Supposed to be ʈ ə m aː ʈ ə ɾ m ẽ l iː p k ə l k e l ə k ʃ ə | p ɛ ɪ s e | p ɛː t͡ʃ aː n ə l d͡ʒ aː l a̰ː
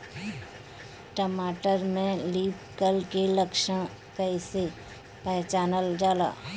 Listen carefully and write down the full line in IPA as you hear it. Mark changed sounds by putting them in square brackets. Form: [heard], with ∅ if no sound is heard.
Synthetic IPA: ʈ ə m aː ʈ ə ɾ m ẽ l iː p k ə l k e l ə k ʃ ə | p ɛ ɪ s e | p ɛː t͡ʃ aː n ə l d͡ʒ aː l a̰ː